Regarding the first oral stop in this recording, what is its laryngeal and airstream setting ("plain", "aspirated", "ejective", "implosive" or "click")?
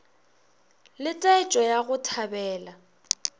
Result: ejective